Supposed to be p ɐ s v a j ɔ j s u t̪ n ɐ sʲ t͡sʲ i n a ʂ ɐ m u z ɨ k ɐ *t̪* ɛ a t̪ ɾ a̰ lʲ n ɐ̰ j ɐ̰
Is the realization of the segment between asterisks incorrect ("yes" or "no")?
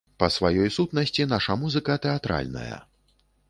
no